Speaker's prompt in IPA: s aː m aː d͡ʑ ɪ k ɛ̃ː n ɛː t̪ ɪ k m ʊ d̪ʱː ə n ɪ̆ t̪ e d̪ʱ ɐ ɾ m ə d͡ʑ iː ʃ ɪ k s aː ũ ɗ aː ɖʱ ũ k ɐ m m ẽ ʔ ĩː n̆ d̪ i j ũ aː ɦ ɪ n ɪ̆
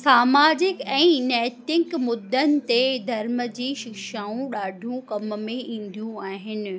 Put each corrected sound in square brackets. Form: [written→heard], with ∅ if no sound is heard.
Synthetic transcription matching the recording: s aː m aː d͡ʑ ɪ k ɛ̃ː n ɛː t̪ ɪ k m ʊ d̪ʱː ə n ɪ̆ t̪ e d̪ʱ ɐ ɾ m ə d͡ʑ iː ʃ ɪ k [s→ʃ] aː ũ ɗ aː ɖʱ ũ k ɐ m m ẽ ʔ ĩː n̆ d̪ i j ũ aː ɦ ɪ n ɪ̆